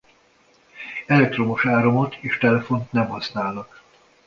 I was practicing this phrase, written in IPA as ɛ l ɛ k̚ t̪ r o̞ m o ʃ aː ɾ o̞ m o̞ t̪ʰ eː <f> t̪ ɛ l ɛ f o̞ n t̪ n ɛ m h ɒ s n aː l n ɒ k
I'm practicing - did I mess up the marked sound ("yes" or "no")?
yes